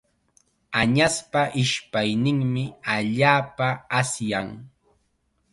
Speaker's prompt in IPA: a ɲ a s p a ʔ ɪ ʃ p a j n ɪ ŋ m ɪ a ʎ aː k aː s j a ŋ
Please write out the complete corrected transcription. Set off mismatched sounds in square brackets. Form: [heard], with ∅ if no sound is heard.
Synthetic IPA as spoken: a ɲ a s p a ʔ ɪ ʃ p a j n ɪ ŋ m ɪ a ʎ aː [p] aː s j a ŋ